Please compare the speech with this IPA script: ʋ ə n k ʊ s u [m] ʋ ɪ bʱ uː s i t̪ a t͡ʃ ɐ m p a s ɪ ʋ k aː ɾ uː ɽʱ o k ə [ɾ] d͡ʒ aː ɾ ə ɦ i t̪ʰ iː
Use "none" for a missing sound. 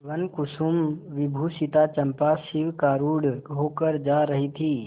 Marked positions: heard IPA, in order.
m, ɾ

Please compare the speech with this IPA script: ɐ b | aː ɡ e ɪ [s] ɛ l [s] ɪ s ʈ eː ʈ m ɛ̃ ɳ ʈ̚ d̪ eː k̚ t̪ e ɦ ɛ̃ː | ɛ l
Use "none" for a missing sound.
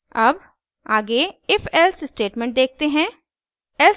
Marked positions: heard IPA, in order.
f, s

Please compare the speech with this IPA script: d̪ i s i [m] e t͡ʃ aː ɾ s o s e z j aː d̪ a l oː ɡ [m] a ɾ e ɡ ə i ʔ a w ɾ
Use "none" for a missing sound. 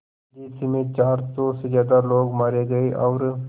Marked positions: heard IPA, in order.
m, m

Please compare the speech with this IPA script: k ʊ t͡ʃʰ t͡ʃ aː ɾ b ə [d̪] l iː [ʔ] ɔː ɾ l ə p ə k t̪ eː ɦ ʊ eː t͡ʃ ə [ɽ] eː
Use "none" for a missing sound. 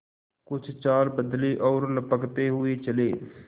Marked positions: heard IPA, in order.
d̪, ʔ, l

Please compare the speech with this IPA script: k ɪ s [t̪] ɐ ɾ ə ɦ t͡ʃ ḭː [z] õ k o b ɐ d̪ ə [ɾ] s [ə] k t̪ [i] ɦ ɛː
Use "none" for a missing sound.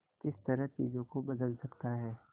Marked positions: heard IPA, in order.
t̪, z, l, ɐ, a

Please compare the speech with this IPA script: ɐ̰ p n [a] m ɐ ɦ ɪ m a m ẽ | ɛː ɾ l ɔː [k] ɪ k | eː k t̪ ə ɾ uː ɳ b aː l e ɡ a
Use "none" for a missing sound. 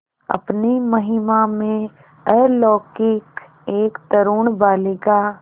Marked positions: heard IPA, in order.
i, k

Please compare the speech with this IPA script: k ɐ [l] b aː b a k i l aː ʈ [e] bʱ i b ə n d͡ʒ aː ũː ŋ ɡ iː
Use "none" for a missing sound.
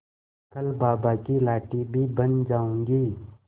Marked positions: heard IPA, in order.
l, i

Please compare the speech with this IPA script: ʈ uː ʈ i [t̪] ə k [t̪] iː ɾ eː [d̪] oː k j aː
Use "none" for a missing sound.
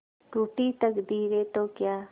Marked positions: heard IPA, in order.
t̪, d̪, t̪

